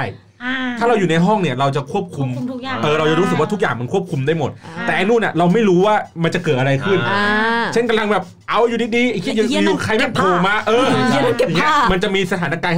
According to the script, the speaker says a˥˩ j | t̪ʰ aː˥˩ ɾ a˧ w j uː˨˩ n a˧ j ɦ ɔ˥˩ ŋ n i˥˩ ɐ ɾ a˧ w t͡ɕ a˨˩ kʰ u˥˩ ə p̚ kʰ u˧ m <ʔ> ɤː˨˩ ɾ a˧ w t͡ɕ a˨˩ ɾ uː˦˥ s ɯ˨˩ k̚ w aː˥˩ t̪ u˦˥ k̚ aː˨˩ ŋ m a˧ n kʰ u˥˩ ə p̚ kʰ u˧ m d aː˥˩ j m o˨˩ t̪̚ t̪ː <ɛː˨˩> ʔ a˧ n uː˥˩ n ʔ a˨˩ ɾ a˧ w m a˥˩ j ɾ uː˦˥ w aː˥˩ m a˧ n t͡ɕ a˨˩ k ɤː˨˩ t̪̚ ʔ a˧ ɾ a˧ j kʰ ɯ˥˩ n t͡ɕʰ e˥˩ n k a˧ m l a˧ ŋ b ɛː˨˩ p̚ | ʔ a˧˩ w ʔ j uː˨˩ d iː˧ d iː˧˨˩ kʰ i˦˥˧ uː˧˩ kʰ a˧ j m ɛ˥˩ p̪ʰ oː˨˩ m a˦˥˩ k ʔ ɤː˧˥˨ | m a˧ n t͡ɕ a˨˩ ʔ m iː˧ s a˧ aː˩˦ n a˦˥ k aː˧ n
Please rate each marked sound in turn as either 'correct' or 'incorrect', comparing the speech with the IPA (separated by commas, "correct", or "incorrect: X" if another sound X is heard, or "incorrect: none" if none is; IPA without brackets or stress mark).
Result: correct, correct